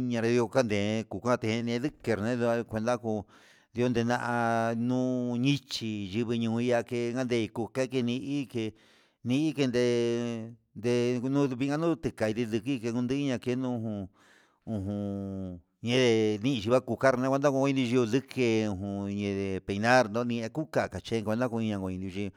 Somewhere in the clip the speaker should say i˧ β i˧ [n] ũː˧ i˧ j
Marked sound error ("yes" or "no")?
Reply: yes